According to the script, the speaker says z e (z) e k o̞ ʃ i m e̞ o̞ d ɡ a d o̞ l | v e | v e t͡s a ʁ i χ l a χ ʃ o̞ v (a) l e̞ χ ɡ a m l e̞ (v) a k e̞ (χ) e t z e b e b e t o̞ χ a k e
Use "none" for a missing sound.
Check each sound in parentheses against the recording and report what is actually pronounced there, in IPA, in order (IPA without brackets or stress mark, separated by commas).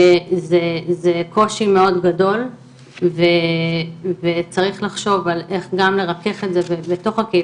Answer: z, a, ʁ, χ